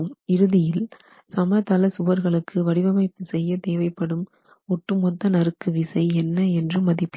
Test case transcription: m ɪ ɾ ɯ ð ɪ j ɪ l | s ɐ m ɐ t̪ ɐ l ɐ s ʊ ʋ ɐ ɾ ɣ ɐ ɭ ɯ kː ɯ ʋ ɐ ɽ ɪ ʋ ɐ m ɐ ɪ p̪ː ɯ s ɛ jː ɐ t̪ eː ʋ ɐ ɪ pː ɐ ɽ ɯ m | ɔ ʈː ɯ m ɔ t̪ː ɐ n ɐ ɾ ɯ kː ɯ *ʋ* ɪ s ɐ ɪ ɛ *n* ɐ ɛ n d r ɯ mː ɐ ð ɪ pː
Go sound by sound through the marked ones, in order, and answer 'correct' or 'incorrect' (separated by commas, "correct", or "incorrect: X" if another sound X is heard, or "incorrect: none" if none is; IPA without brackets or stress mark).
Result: correct, incorrect: nː